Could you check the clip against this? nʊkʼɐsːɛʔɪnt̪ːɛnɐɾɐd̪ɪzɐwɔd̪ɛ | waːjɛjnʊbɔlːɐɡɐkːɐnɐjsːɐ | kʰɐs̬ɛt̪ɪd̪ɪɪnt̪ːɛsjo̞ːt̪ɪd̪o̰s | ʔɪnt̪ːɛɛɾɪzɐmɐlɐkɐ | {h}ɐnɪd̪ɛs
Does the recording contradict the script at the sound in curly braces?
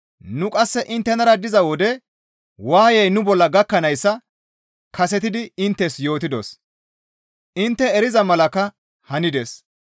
no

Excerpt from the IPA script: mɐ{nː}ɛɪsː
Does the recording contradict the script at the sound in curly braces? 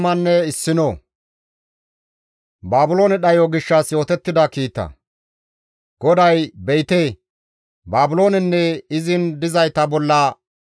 no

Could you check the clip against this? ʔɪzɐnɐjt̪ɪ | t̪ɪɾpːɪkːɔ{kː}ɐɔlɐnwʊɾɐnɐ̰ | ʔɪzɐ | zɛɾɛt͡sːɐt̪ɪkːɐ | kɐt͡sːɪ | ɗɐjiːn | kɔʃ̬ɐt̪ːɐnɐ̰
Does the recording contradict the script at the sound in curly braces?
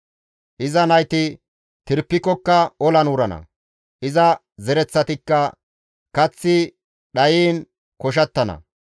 no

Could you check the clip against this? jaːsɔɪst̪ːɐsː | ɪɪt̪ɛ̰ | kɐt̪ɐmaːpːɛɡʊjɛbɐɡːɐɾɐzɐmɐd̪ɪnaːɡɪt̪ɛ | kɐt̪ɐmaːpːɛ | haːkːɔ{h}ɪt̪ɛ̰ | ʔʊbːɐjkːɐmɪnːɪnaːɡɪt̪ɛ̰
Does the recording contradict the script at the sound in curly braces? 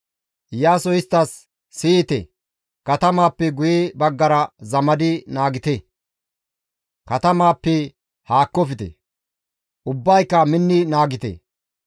yes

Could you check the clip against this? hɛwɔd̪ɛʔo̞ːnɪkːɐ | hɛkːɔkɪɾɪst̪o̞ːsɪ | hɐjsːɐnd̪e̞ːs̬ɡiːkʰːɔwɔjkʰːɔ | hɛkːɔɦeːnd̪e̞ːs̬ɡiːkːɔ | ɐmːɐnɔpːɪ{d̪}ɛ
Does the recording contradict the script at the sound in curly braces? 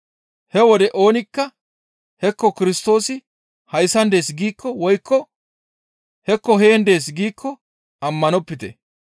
yes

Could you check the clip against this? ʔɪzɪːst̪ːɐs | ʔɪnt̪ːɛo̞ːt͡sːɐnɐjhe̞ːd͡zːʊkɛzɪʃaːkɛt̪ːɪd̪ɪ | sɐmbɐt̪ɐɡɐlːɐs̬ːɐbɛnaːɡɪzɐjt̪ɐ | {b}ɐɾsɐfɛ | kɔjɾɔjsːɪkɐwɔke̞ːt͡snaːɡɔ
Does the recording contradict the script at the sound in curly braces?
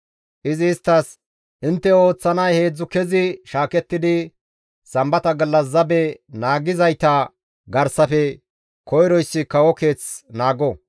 yes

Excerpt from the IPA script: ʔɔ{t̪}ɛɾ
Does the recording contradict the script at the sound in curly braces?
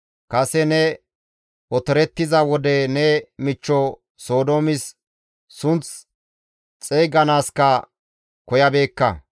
no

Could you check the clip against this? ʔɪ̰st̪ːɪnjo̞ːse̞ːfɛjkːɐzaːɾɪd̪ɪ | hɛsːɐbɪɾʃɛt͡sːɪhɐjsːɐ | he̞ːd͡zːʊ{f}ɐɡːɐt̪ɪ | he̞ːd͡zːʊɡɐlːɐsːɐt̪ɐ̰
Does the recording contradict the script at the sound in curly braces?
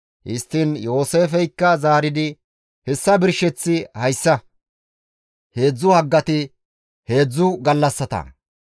yes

